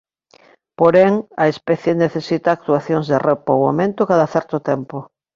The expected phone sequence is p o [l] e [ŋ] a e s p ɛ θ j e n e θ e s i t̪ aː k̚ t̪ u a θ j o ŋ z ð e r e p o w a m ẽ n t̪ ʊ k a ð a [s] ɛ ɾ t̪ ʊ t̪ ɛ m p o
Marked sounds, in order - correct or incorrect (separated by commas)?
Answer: incorrect, correct, incorrect